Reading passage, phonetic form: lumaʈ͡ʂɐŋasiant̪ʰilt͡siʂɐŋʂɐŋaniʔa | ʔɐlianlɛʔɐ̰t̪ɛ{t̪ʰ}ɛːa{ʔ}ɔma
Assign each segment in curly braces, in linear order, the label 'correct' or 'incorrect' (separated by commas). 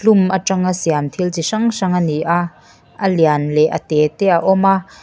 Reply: incorrect, correct